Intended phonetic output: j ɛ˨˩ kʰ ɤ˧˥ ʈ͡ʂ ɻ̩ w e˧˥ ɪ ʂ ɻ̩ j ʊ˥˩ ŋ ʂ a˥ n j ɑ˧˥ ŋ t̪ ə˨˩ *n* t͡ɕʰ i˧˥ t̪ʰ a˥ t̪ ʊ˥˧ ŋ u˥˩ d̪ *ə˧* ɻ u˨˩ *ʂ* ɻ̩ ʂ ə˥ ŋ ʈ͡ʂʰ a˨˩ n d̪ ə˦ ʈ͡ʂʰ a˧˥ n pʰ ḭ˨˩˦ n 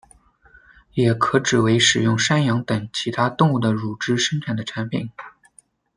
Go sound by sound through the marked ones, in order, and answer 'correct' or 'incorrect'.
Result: incorrect: ŋ, incorrect: ə˩, incorrect: ʈ͡ʂ

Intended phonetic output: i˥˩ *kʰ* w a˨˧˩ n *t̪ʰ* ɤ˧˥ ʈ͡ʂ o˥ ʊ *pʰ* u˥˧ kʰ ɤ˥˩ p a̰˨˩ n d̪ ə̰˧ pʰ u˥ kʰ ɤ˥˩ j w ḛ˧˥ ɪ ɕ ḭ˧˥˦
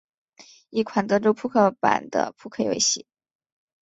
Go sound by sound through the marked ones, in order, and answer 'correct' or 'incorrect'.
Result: correct, incorrect: t̪, correct

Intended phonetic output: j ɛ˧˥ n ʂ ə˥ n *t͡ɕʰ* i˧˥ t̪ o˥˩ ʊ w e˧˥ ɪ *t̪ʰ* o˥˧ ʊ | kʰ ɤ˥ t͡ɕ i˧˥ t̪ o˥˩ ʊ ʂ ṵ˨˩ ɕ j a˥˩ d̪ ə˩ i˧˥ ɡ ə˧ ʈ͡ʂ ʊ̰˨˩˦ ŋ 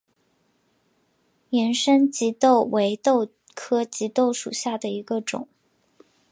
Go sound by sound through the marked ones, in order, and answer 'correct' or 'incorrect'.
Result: incorrect: t͡ɕ, incorrect: t̪

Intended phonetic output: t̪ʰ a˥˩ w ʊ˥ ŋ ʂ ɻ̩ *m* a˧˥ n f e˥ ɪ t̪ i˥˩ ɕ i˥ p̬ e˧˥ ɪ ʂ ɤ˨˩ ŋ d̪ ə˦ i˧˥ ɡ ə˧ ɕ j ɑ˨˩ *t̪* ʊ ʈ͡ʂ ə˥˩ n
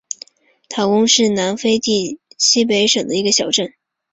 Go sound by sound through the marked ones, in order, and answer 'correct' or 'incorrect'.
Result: incorrect: n, incorrect: none

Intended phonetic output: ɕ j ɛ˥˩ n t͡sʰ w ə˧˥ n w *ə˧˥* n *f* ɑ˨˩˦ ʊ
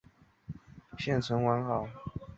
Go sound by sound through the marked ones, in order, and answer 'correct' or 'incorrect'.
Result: incorrect: a˧˥, incorrect: x

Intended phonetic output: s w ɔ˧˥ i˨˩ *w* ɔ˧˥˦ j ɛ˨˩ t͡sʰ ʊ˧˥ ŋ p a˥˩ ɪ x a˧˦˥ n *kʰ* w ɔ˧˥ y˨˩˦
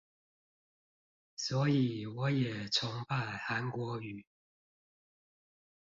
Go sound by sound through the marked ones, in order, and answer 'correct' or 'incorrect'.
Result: correct, incorrect: k

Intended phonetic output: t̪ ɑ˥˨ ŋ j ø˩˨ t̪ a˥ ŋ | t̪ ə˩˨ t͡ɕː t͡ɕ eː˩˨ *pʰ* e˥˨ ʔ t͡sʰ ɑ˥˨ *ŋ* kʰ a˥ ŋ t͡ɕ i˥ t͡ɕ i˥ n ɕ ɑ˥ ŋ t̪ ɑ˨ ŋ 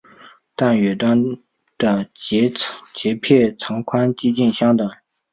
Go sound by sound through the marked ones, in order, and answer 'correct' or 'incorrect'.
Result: correct, correct

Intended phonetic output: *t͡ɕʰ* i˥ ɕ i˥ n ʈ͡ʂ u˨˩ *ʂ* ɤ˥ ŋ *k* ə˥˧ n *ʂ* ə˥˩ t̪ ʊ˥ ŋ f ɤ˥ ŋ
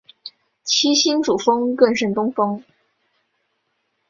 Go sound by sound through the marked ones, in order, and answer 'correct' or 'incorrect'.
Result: correct, incorrect: f, correct, correct

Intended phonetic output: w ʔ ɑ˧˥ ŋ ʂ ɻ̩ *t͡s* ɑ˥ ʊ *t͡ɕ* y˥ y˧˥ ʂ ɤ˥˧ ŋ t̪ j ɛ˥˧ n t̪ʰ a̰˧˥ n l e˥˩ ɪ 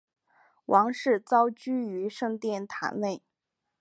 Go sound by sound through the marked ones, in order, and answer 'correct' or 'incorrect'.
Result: correct, correct

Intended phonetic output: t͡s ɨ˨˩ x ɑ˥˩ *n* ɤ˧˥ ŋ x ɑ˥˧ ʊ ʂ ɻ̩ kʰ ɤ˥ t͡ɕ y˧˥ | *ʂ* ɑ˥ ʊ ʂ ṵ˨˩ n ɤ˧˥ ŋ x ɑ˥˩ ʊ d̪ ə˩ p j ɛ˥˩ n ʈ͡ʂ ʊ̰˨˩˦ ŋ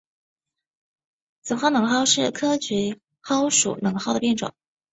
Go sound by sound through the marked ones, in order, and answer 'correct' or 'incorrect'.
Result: correct, incorrect: x

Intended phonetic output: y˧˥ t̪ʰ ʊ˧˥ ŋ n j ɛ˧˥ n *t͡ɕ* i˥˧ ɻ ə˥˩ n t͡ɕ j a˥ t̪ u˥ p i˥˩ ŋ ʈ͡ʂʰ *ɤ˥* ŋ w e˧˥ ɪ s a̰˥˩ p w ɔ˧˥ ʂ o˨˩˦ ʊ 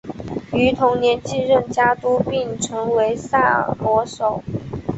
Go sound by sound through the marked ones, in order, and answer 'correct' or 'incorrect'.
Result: correct, incorrect: ɤ˧˥

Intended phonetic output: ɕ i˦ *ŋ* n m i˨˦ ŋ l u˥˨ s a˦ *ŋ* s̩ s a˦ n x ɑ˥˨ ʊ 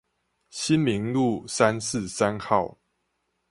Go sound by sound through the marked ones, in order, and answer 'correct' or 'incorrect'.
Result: incorrect: none, incorrect: n

